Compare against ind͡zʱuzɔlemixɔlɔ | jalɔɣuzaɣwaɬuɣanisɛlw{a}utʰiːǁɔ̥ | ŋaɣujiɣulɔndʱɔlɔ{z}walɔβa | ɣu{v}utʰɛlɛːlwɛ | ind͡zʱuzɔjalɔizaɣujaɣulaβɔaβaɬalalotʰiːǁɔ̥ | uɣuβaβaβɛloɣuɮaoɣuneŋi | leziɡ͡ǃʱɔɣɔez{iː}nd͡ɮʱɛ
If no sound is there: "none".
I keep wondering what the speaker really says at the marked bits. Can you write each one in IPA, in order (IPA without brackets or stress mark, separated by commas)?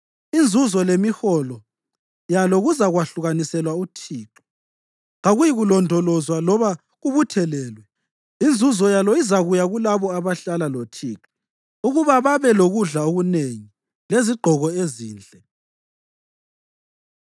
a, z, β, iː